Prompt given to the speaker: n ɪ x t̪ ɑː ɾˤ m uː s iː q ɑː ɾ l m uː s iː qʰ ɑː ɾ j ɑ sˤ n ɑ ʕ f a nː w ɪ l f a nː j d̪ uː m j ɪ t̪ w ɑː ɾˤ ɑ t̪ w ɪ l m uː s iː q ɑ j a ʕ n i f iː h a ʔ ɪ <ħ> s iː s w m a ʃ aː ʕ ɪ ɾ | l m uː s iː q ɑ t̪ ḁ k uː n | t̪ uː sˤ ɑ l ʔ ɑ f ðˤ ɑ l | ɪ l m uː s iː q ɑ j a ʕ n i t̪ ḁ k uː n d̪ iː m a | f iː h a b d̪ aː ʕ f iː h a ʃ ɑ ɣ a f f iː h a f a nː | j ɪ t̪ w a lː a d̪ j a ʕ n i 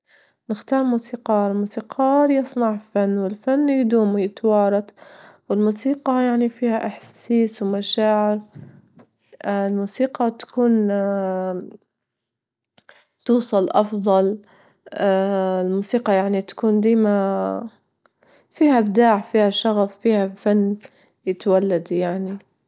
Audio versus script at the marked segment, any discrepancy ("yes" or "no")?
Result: no